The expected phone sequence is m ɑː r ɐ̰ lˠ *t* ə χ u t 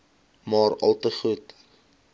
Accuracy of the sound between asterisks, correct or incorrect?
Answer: correct